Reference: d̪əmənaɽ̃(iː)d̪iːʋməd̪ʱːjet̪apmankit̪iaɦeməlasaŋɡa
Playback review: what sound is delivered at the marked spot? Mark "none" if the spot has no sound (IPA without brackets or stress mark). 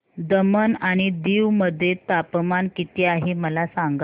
i